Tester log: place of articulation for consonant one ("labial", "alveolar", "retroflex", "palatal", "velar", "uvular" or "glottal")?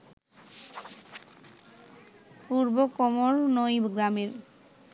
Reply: labial